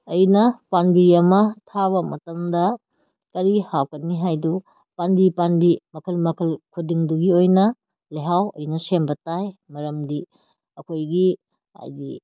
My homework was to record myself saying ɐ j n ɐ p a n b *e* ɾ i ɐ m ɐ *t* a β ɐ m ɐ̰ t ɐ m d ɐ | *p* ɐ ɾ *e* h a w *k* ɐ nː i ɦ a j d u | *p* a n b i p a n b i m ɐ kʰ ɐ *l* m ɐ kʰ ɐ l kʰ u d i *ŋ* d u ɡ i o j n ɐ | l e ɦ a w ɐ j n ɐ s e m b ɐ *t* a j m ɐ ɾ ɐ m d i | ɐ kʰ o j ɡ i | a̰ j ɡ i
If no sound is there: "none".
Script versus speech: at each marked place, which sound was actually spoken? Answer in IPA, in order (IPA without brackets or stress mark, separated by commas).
i, tʰ, k, i, k, p, l, ŋ, t